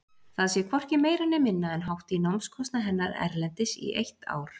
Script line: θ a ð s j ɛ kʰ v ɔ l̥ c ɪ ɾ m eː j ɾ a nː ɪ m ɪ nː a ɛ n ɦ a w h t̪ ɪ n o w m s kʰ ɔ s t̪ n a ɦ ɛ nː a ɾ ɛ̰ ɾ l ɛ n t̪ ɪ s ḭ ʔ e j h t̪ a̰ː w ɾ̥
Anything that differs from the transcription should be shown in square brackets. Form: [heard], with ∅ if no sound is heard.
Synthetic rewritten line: θ a ð s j ɛ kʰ v ɔ [r̥] c ɪ [∅] m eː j ɾ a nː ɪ m ɪ nː a ɛ n ɦ a w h t̪ [i] n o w m s kʰ ɔ s t̪ n a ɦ ɛ nː a ɾ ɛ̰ ɾ l ɛ n t̪ ɪ s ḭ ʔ e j h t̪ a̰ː w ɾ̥